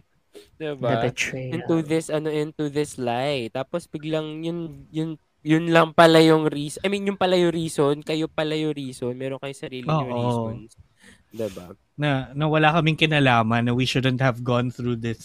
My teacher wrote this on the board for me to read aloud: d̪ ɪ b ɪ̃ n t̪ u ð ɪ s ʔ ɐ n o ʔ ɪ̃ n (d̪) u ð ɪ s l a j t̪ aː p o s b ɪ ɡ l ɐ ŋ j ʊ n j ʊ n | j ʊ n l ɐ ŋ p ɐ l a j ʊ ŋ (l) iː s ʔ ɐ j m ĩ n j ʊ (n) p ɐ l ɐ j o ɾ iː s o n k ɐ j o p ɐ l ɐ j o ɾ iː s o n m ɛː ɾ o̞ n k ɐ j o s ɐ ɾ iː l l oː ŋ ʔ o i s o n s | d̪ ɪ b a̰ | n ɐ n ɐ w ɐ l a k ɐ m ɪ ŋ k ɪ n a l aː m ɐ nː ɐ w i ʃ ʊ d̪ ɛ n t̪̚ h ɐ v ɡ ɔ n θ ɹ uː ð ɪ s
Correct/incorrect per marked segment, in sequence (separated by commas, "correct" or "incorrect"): incorrect, incorrect, incorrect